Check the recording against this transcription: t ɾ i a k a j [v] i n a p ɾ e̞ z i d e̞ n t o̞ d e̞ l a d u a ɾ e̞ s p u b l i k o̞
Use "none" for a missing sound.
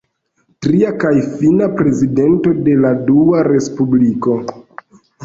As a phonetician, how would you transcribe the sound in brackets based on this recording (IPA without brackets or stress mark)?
f